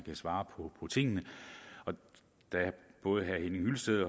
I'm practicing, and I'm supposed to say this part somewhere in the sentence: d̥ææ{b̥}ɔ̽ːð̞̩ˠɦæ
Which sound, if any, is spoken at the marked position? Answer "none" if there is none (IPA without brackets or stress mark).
b̥